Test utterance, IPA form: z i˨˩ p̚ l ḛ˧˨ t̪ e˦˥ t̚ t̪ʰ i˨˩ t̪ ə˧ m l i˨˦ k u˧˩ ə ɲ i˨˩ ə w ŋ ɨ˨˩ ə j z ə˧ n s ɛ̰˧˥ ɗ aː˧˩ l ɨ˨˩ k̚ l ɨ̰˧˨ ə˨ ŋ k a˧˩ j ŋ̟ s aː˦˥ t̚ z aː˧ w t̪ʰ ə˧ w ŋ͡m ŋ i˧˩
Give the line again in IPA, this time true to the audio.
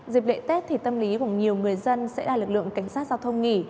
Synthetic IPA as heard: z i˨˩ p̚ l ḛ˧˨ t̪ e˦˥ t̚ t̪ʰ i˨˩ t̪ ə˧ m l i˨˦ k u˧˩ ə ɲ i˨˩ ə w ŋ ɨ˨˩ ə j z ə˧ n s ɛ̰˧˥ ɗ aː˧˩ l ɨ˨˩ k̚ l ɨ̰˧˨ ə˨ ŋ k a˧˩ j ŋ̟ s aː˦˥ t̚ z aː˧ w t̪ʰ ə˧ w ŋ͡m ŋ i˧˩